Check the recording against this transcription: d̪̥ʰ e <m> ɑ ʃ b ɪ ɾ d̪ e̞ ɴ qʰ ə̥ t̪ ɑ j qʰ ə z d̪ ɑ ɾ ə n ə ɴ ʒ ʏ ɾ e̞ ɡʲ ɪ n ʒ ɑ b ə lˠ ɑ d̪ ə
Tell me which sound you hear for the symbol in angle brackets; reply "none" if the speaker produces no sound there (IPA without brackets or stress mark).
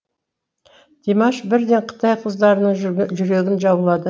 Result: m